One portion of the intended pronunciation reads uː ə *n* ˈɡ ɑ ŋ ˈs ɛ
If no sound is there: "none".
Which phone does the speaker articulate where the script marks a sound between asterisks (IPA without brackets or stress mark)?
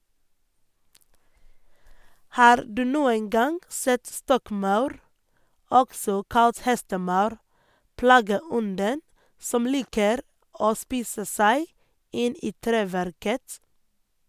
n